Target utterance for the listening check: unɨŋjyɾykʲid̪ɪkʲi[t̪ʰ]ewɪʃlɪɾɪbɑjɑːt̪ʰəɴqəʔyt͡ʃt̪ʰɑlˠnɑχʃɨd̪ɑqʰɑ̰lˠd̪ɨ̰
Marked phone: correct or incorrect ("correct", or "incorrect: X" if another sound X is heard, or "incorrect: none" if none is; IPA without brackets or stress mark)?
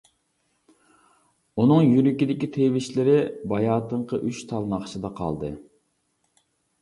correct